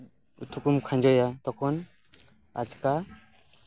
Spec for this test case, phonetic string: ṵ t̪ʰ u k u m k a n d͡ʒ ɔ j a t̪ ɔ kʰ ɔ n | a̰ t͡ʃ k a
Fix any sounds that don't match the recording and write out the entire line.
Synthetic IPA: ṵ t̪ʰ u k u m kʰ a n d͡ʒ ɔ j a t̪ ɔ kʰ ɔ n | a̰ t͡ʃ k a